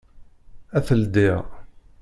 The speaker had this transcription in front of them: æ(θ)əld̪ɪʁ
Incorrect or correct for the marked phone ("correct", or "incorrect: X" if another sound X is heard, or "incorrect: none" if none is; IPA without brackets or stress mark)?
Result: correct